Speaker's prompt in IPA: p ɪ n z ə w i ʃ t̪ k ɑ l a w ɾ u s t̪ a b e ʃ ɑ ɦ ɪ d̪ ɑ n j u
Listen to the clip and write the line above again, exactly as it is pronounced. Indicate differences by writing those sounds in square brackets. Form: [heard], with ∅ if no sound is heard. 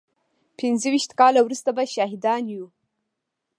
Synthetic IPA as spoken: p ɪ n z ə w i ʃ t̪ k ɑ l a w ɾ u s t̪ a b [a] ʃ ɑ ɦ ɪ d̪ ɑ n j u